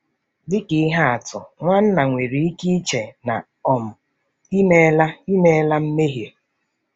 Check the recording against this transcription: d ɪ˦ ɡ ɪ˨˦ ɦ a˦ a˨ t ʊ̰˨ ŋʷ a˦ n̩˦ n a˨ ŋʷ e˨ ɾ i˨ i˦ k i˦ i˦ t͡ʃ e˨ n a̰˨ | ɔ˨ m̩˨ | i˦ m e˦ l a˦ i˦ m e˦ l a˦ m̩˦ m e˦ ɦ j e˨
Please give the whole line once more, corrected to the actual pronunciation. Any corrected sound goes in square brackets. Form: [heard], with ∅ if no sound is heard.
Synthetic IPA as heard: d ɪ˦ [k] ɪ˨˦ ɦ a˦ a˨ t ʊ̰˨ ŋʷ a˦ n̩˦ n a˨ ŋʷ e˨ ɾ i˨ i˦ k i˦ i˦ t͡ʃ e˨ n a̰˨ | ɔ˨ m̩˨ | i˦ m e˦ l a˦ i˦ m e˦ l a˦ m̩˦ m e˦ ɦ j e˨